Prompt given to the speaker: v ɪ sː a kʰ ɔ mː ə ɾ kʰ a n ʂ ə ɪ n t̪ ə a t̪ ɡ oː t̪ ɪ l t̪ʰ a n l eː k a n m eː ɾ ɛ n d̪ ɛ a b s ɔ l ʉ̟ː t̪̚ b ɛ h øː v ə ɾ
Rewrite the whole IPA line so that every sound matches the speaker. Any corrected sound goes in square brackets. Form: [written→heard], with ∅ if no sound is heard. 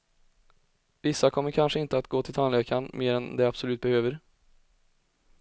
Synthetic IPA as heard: v ɪ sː a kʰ ɔ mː ə ɾ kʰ a n ʂ ə ɪ n t̪ ə a t̪ ɡ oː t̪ ɪ l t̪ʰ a n l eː k a n m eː ɾ ɛ n d̪ ɛ a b s ɔ l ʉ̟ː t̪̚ b ɛ h øː v ə ɾ